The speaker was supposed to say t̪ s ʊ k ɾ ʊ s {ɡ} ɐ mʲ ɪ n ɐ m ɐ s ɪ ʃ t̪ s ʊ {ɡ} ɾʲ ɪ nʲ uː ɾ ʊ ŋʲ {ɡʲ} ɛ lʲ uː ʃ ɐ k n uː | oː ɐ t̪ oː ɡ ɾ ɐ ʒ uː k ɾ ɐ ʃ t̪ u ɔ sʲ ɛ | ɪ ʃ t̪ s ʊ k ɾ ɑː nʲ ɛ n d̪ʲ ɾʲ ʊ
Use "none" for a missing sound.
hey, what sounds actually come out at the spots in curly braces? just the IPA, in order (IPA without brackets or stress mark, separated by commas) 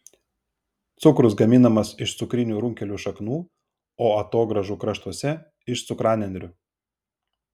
ɡ, k, kʲ